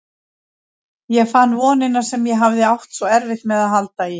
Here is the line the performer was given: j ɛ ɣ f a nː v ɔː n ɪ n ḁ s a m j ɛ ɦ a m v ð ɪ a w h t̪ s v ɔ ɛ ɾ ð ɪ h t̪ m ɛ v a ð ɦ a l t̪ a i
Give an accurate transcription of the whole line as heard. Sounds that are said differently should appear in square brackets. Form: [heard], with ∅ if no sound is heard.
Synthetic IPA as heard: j ɛ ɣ f a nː v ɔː n ɪ n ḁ s [ɛ] m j ɛ ɦ a [∅] v ð ɪ a w h t̪ s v ɔ ɛ ɾ [v] ɪ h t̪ m ɛ [ð] a ð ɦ a l t̪ a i